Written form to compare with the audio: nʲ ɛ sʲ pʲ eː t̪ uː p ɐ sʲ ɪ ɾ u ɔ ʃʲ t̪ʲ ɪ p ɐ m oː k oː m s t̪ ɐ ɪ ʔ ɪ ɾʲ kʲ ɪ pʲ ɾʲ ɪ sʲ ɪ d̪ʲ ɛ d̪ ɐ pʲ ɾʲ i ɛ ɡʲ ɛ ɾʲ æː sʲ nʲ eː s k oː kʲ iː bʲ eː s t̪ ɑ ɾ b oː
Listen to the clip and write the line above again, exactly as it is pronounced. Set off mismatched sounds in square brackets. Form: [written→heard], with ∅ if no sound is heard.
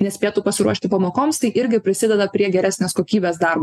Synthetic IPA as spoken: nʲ ɛ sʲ pʲ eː t̪ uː p ɐ sʲ ɪ ɾ u ɔ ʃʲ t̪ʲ ɪ p ɐ m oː k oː m s t̪ ɐ ɪ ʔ ɪ ɾʲ [kʲ→ɡʲ] ɪ pʲ ɾʲ ɪ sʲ ɪ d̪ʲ ɛ d̪ ɐ pʲ ɾʲ i ɛ ɡʲ ɛ ɾʲ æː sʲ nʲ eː s k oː kʲ iː bʲ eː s [t̪→d̪] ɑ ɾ b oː